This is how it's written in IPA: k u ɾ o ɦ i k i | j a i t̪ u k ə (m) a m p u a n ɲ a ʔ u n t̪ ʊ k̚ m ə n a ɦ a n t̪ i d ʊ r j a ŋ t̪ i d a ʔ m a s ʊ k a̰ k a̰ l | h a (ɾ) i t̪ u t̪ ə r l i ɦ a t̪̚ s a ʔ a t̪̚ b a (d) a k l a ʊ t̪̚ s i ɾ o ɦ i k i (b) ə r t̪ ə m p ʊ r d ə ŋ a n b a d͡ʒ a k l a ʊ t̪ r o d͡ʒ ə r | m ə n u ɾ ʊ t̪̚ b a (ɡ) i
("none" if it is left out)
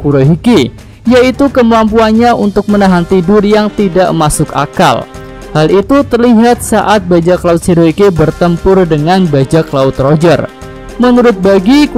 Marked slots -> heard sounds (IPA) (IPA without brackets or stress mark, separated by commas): m, l, d͡ʒ, b, ɡ